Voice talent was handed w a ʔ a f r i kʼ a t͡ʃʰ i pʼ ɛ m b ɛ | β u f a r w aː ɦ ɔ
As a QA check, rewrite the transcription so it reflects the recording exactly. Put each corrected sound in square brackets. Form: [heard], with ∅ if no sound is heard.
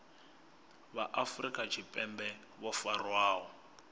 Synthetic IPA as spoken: [β] a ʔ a f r i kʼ a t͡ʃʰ i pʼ ɛ m b ɛ | β [ɔ] f a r w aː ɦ ɔ